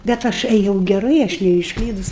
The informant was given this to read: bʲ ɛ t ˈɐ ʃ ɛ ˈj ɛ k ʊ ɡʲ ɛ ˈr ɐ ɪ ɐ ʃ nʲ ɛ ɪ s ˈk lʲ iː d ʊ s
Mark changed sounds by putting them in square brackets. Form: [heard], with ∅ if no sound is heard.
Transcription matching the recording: bʲ ɛ t ˈɐ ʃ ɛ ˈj ɛ [∅] ʊ ɡʲ ɛ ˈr ɐ ɪ ɐ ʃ nʲ ɛ ɪ [ʃ] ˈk lʲ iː d ʊ s